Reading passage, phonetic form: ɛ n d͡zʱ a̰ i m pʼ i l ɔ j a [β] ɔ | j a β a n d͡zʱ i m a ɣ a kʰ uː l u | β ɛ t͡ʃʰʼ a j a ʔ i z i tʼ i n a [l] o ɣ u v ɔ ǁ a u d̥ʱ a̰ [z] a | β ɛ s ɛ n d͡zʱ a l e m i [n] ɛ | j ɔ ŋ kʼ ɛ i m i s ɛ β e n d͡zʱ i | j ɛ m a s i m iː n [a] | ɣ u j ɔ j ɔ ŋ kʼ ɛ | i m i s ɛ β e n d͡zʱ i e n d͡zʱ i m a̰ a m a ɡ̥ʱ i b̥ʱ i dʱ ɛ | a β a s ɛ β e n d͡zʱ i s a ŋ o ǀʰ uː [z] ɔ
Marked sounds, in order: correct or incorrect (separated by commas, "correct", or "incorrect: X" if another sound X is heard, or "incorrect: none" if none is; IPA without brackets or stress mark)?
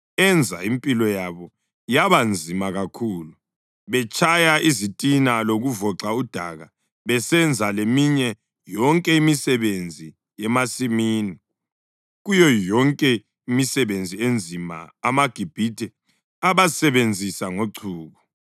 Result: correct, correct, incorrect: ɣ, incorrect: ɲ, incorrect: i, incorrect: ɣ